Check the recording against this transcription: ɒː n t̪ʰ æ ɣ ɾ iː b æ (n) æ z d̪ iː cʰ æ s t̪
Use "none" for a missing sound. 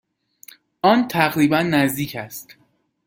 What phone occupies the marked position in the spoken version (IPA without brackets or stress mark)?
nː